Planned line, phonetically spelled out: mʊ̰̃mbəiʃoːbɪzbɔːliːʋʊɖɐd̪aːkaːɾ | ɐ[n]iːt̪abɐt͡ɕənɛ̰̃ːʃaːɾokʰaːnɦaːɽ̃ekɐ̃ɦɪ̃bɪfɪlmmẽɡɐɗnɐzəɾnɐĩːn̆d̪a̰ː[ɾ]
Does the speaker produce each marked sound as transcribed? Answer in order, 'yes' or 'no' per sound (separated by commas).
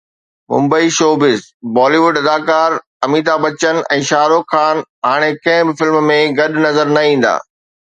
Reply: no, no